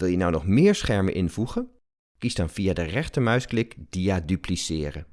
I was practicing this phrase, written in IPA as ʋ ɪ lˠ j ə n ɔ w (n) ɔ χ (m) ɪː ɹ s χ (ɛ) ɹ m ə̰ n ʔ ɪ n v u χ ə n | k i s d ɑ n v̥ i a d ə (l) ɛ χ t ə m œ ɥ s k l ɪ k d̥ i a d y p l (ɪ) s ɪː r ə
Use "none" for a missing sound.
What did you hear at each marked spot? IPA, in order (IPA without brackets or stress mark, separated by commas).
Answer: n, m, ɛ, r, i